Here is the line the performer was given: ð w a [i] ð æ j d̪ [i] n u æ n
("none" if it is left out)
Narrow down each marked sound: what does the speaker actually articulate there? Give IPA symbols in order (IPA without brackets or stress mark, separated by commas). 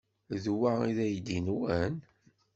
i, i